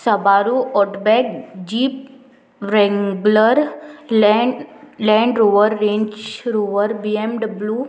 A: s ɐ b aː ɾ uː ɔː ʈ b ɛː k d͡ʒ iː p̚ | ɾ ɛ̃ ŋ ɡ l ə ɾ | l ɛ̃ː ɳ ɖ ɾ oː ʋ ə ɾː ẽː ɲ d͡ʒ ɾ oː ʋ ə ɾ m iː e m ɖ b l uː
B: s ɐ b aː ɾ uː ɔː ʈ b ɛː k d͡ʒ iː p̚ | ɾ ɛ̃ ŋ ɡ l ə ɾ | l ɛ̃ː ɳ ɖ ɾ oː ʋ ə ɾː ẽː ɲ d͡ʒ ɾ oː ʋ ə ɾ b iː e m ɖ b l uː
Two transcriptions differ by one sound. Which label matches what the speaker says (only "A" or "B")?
B